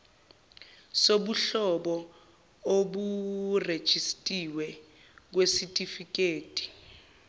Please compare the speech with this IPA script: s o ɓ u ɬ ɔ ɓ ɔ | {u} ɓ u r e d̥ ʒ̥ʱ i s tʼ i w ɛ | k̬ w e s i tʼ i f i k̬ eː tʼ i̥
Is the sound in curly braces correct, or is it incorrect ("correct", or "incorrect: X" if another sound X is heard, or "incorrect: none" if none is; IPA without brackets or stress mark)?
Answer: incorrect: o